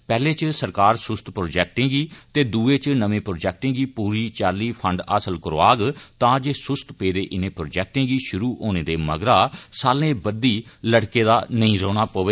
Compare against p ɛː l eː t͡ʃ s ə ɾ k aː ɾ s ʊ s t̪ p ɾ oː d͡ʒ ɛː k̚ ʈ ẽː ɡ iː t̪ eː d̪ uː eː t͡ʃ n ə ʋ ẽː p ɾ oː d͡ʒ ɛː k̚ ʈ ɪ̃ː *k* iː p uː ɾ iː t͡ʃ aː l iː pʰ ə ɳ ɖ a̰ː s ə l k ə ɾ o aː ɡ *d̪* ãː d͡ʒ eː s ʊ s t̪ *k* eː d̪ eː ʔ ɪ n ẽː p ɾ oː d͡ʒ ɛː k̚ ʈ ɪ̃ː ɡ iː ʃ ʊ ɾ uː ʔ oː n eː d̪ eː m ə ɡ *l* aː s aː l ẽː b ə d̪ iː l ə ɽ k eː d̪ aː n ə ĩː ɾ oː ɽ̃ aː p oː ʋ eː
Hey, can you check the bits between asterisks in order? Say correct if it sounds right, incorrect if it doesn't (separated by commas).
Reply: incorrect, incorrect, incorrect, incorrect